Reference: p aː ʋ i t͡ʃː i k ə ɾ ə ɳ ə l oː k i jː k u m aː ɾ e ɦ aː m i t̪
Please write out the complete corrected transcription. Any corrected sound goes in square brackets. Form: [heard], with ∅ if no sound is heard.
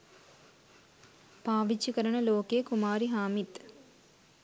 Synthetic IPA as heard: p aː ʋ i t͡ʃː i k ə ɾ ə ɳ ə l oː k [e] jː k u m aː ɾ [i] ɦ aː m i t̪

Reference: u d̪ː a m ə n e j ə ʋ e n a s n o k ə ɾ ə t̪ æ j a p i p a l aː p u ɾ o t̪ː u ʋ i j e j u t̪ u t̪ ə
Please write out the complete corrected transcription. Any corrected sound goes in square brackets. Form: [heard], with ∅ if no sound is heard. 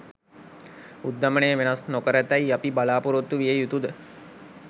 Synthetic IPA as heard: u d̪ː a m ə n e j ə ʋ e n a s n o k ə ɾ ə t̪ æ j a p i [b] a l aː p u ɾ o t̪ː u ʋ i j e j u t̪ u [d̪] ə

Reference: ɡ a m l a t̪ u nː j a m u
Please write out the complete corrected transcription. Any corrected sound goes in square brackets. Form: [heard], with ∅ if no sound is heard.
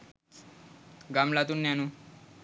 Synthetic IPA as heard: ɡ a m l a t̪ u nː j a [n] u

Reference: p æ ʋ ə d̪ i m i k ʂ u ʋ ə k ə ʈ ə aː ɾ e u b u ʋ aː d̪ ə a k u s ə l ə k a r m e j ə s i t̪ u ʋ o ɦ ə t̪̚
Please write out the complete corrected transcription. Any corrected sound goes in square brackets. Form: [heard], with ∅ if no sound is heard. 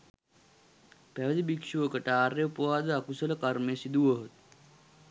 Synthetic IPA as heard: p æ ʋ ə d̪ i [b] i k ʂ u ʋ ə k ə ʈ ə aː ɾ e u [p] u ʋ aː d̪ ə a k u s ə l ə k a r m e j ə s i [d̪] u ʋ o ɦ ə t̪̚

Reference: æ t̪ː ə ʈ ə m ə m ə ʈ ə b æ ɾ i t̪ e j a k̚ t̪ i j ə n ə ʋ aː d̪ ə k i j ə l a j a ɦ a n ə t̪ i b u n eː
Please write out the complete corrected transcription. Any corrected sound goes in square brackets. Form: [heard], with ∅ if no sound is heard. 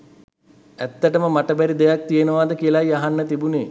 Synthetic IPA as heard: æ t̪ː ə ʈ ə m ə m [a] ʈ ə b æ ɾ i [d̪] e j a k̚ t̪ i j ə n ə ʋ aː d̪ ə k i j ə l a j a ɦ a [nː] ə t̪ i b u n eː

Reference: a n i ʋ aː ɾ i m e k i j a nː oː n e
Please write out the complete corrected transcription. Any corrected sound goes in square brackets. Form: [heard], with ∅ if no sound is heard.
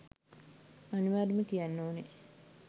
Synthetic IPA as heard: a n i ʋ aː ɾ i m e k i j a nː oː n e

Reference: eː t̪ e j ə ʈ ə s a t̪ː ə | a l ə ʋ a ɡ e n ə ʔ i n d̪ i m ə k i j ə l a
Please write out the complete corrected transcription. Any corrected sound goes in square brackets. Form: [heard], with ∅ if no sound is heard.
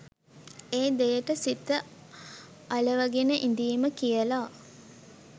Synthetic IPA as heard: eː [d̪] e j ə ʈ ə s [i] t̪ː ə | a l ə ʋ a ɡ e n ə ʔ i n d̪ [iː] m ə k i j ə l a

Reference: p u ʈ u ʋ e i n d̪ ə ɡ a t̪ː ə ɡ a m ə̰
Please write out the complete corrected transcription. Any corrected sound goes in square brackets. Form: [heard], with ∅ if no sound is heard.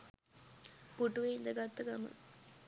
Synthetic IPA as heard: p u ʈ u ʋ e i n d̪ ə ɡ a t̪ː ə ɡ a m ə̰

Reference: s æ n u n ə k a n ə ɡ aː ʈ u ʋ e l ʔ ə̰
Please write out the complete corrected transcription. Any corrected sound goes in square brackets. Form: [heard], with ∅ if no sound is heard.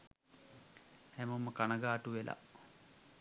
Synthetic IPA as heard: [h] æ [m] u [m] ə k a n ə ɡ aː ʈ u ʋ e l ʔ [a̰]

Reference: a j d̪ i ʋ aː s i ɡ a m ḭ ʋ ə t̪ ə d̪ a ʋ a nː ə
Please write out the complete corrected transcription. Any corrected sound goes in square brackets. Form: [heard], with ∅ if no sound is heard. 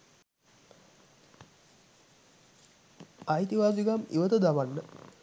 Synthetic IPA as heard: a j [t̪] i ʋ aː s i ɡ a m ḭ ʋ ə t̪ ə d̪ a ʋ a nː ə

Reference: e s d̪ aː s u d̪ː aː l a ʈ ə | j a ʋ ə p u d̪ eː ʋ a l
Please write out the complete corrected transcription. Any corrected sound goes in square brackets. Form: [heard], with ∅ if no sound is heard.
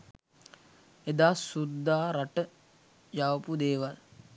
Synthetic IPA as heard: e [∅] d̪ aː s u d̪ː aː [ɾ] a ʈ ə | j a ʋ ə p u d̪ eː ʋ a l

